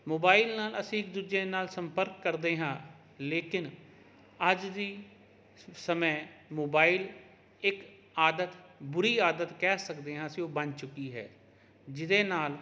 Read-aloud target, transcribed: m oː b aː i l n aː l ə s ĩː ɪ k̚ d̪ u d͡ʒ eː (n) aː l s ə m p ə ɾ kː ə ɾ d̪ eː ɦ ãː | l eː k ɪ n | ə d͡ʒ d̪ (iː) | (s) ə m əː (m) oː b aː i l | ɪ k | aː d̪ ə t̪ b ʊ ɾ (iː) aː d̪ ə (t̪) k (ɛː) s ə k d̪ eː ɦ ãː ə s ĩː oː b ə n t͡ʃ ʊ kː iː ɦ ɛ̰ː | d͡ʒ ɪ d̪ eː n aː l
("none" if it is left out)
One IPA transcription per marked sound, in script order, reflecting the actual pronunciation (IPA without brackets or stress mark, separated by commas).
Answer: n, iː, s, m, iː, t̪, ɛː